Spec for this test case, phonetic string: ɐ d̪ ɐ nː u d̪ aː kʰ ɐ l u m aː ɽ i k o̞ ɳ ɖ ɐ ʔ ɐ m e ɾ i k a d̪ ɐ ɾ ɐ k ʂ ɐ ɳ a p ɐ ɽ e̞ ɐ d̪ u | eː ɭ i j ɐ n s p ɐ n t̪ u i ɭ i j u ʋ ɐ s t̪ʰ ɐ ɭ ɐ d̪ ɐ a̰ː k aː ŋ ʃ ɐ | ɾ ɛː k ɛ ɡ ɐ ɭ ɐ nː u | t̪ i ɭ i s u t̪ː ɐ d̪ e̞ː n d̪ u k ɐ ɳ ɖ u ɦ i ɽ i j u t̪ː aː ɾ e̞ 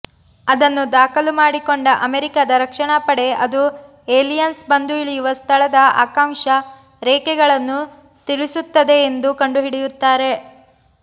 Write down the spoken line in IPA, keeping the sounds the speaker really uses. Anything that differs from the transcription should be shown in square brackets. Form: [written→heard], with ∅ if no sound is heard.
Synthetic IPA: ɐ d̪ ɐ nː u d̪ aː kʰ ɐ l u m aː ɽ i k o̞ ɳ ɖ ɐ ʔ ɐ m e ɾ i k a d̪ ɐ ɾ ɐ k ʂ ɐ ɳ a p ɐ ɽ e̞ ɐ d̪ u | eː [ɭ→l] i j ɐ n s [p→b] ɐ n [t̪→d̪] u i ɭ i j u ʋ ɐ s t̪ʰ ɐ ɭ ɐ d̪ ɐ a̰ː k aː ŋ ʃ ɐ | ɾ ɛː k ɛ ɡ ɐ ɭ ɐ nː u | t̪ i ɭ i s u t̪ː ɐ d̪ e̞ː n d̪ u k ɐ ɳ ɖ u ɦ i ɽ i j u t̪ː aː ɾ e̞

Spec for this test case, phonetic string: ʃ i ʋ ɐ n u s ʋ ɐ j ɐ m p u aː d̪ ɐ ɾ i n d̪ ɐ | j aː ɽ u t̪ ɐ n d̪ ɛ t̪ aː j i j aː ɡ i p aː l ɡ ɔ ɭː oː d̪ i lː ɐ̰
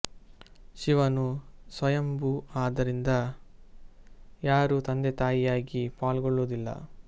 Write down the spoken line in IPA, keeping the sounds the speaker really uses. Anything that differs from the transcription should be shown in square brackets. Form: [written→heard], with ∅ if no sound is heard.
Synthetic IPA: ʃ i ʋ ɐ n u s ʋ ɐ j ɐ m [p→b] u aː d̪ ɐ ɾ i n d̪ ɐ | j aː [ɽ→ɾ] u t̪ ɐ n d̪ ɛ t̪ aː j i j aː ɡ i p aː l ɡ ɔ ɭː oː d̪ i lː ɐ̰

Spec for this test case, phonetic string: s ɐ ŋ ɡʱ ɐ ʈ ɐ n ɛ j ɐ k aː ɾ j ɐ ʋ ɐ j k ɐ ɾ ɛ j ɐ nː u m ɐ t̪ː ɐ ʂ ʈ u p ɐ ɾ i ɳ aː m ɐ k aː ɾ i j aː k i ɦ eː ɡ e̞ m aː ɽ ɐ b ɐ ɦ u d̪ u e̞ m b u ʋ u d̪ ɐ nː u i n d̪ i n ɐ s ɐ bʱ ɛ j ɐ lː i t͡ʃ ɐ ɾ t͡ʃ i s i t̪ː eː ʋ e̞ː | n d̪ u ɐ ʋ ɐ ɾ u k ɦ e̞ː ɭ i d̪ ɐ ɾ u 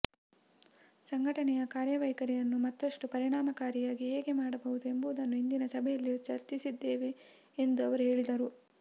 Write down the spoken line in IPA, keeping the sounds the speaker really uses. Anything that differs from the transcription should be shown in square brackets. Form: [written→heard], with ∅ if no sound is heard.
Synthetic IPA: s ɐ ŋ ɡʱ ɐ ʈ ɐ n ɛ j ɐ k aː ɾ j ɐ ʋ ɐ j k ɐ ɾ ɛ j ɐ nː u m ɐ t̪ː ɐ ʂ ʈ u p ɐ ɾ i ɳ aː m ɐ k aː ɾ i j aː [k→ɡ] i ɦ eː ɡ e̞ m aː ɽ ɐ b ɐ ɦ u d̪ u e̞ m b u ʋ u d̪ ɐ nː u i n d̪ i n ɐ s ɐ bʱ ɛ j ɐ lː i t͡ʃ ɐ ɾ t͡ʃ i s i [t̪ː→d̪ː] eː ʋ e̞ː | n d̪ u ɐ ʋ ɐ ɾ u [k→∅] ɦ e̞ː ɭ i d̪ ɐ ɾ u

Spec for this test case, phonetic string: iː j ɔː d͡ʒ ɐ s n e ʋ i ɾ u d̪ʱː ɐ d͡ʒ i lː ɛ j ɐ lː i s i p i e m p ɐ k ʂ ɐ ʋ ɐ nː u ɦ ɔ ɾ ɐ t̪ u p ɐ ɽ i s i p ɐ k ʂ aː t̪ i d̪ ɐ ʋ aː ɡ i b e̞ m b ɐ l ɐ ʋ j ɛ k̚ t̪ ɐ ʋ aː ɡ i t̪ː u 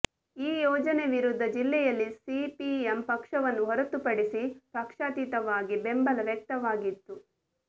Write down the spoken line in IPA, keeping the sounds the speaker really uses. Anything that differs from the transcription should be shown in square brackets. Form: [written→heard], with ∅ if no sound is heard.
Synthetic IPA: iː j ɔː d͡ʒ ɐ [s→∅] n e ʋ i ɾ u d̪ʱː ɐ d͡ʒ i lː ɛ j ɐ lː i s i p i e m p ɐ k ʂ ɐ ʋ ɐ nː u ɦ ɔ ɾ ɐ t̪ u p ɐ ɽ i s i p ɐ k ʂ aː t̪ i [d̪→t̪] ɐ ʋ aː ɡ i b e̞ m b ɐ l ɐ ʋ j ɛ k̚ t̪ ɐ ʋ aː ɡ i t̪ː u

